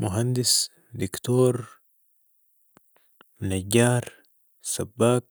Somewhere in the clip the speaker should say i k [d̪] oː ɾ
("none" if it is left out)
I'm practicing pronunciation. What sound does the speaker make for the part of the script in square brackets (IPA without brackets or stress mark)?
t̪